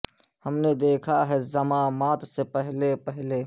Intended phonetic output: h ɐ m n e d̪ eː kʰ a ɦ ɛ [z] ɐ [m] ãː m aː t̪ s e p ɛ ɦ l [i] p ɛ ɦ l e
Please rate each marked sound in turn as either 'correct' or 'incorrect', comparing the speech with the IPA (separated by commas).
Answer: correct, correct, incorrect